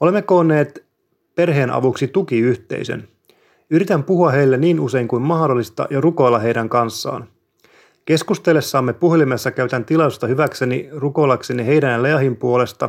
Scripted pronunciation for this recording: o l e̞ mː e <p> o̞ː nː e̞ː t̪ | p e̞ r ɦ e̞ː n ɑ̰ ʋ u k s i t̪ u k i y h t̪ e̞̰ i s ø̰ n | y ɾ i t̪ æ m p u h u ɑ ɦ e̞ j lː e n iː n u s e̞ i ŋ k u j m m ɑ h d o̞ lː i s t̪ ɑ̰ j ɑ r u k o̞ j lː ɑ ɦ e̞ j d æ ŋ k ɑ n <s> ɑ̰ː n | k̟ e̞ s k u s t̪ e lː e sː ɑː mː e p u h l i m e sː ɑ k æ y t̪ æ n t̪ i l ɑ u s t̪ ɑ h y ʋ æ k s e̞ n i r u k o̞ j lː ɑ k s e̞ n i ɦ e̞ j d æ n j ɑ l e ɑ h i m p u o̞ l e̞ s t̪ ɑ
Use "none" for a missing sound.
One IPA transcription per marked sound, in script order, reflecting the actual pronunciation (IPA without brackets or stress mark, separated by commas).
k, sː